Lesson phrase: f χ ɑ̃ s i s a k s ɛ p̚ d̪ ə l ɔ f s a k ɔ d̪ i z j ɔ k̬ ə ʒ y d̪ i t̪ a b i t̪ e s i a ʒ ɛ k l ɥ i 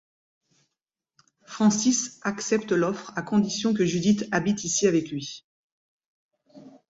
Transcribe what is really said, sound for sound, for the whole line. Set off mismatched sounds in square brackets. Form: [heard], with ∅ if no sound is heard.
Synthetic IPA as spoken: f χ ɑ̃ s i s a k s ɛ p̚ [t̪] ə l ɔ f [χ] a k [ɔ̃] d̪ i [s] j [ɔ̃] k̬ ə ʒ y d̪ i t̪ a b i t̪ [i] s i a [v] ɛ k l ɥ i